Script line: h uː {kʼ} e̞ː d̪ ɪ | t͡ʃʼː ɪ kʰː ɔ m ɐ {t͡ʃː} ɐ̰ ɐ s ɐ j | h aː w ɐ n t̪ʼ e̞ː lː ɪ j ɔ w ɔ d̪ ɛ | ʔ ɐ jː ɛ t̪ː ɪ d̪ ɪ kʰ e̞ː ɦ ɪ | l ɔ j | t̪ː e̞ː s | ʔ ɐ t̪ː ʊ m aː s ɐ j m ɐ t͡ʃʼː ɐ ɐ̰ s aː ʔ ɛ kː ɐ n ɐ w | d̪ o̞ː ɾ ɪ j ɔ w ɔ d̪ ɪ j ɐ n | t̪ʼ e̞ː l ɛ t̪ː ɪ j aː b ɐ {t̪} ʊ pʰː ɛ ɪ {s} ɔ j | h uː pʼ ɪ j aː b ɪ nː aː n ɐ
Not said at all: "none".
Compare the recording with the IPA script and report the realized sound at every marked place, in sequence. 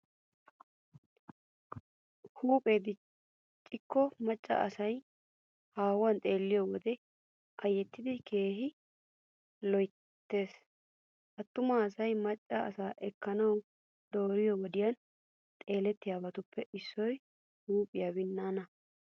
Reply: pʼ, t͡ʃʼː, t̪, sː

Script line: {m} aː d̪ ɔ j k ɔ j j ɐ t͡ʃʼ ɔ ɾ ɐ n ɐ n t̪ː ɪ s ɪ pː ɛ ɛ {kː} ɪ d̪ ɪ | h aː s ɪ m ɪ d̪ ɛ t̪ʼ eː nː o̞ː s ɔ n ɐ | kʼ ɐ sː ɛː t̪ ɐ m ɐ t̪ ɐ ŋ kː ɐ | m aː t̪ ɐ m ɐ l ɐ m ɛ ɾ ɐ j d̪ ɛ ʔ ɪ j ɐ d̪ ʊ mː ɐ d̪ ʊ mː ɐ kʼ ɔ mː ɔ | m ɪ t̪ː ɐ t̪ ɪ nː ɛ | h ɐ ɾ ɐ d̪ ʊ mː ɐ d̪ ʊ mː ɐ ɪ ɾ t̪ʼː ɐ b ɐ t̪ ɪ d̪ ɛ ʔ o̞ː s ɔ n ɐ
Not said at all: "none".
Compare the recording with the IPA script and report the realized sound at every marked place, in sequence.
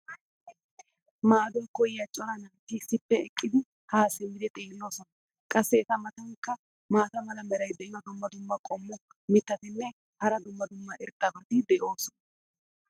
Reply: m, kʼː

